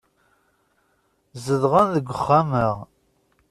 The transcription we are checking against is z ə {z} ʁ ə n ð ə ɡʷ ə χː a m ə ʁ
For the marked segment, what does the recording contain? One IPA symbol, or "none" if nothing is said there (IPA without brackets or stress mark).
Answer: ð